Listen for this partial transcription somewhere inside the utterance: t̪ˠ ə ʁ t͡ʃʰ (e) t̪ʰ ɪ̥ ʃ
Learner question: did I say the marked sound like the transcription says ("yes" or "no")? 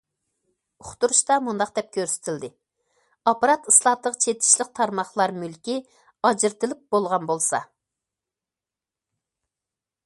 yes